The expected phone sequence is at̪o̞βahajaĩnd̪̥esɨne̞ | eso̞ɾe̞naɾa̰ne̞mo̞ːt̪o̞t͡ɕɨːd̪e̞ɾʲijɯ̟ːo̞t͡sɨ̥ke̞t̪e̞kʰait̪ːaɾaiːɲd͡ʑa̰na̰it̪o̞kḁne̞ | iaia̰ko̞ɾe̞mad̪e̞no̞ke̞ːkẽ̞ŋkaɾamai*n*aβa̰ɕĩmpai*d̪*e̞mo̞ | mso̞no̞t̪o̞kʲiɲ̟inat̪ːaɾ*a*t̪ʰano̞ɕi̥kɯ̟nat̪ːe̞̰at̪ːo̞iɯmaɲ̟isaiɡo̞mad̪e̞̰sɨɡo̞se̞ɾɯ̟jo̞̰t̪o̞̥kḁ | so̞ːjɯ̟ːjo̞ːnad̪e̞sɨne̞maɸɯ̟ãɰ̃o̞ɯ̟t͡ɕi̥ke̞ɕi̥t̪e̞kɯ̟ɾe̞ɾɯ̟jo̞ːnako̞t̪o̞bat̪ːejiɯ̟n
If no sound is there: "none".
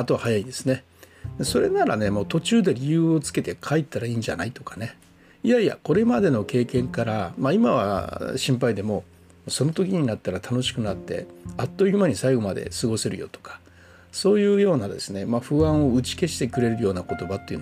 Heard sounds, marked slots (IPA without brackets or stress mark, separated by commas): m, d̪, a